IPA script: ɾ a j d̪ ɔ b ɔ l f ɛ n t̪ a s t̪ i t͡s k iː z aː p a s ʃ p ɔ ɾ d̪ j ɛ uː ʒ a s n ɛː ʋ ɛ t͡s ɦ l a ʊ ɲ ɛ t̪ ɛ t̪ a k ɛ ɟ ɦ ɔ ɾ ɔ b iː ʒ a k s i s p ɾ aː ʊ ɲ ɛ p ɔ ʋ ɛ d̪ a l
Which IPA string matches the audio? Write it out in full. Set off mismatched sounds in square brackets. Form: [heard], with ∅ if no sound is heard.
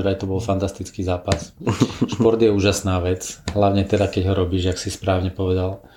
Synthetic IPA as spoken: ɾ a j [t̪] ɔ b ɔ l f [a] n t̪ a s t̪ i t͡s k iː z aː p a s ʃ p ɔ ɾ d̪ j ɛ uː ʒ a s n [aː] ʋ ɛ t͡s ɦ l a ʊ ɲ ɛ t̪ ɛ [d̪] a k ɛ ɟ ɦ ɔ ɾ ɔ b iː ʒ a k s i s p ɾ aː ʊ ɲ ɛ p ɔ ʋ ɛ d̪ a l